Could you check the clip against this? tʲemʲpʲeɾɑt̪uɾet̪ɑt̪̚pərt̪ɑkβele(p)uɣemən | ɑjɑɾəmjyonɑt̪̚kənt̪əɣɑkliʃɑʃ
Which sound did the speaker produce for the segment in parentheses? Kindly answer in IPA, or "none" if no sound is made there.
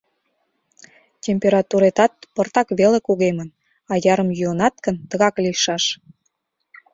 k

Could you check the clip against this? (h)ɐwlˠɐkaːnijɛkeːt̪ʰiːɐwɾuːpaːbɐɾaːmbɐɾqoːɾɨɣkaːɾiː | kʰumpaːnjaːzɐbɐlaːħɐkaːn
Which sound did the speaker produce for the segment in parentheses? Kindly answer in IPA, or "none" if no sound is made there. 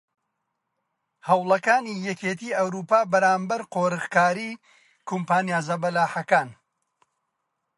h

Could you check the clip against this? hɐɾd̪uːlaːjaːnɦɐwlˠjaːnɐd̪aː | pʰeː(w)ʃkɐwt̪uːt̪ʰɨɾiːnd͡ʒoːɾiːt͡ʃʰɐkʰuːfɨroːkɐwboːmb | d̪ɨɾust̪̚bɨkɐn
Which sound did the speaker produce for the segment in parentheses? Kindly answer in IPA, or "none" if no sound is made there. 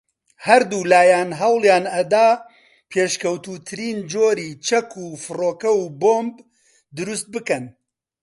none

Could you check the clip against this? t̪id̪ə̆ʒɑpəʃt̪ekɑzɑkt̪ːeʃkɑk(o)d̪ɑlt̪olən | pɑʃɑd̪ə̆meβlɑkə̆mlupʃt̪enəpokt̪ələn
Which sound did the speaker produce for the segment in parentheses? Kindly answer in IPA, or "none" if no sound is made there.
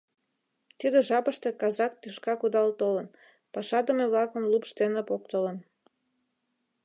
u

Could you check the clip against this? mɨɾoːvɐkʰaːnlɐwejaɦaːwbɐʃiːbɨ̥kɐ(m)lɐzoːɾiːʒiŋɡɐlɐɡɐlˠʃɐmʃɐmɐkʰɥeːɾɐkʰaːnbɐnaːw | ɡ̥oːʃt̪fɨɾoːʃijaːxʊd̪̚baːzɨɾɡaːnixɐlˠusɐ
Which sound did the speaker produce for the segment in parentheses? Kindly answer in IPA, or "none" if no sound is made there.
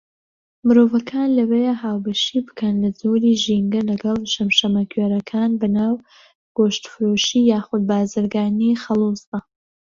n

